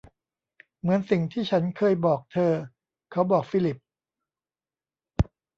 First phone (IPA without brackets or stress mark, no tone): m